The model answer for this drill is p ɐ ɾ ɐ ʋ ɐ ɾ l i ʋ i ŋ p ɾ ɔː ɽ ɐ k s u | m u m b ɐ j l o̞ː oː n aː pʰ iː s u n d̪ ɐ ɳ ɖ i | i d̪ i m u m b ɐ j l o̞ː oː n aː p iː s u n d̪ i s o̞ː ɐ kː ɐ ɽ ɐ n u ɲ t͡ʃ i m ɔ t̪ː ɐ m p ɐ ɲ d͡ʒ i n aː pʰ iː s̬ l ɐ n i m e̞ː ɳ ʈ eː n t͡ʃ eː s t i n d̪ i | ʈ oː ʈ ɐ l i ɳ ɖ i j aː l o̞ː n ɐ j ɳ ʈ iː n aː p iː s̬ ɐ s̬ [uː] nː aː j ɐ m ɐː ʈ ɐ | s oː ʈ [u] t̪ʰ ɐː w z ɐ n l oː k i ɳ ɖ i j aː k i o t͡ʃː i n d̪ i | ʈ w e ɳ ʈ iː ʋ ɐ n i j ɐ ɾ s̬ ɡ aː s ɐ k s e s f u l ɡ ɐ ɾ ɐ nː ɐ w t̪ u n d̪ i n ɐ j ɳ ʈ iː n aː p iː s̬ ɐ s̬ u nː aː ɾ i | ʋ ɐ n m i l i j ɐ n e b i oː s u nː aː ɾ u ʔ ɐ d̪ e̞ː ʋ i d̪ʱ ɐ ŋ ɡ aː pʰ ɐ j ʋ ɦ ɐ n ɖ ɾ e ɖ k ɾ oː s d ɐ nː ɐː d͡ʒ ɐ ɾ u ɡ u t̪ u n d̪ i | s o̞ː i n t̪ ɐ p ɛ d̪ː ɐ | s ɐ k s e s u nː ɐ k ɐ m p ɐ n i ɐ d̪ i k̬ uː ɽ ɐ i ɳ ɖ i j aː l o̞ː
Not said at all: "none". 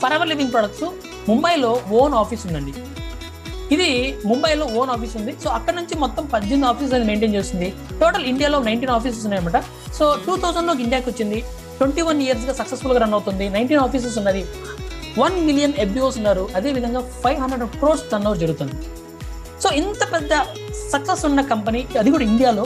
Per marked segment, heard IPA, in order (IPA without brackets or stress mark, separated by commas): u, uː